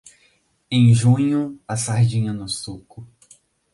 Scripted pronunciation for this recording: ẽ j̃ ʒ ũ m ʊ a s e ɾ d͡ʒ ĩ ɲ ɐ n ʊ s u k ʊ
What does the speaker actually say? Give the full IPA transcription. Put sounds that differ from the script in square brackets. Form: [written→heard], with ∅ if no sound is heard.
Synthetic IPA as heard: ẽ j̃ ʒ ũ [m→ɲ] ʊ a s [e→a] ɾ d͡ʒ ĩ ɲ ɐ n ʊ s u k ʊ